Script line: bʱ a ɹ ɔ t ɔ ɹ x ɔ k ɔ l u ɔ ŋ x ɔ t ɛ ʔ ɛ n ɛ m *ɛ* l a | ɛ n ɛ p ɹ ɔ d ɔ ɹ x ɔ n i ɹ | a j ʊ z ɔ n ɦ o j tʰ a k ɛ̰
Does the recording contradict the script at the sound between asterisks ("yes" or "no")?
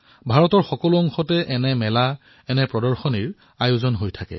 no